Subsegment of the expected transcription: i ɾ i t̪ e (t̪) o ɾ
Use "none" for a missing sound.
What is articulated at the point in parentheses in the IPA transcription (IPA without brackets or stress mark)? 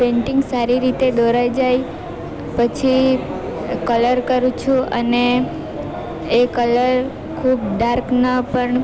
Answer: d̪